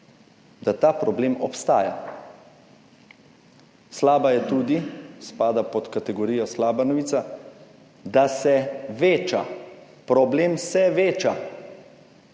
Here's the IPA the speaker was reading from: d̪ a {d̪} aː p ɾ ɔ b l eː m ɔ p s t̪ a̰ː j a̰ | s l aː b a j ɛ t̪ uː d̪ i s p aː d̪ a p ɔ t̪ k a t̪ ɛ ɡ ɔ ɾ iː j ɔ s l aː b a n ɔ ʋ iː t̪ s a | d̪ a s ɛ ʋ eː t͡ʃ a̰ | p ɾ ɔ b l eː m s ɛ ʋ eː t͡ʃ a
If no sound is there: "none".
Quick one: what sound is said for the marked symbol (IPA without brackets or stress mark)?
t̪